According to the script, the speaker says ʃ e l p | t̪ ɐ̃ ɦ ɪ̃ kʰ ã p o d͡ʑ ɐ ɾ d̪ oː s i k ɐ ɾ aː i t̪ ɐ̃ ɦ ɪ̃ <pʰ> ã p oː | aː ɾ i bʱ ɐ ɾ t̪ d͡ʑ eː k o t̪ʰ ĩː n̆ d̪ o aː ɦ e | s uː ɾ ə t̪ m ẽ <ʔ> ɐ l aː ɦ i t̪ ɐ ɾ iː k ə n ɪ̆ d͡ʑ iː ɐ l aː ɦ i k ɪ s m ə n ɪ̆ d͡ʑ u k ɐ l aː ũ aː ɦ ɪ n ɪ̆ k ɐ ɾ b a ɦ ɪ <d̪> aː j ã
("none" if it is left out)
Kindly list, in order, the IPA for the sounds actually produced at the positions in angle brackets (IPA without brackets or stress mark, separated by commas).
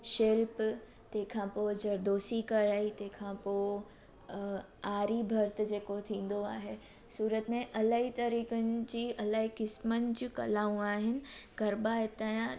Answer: kʰ, ʔ, t̪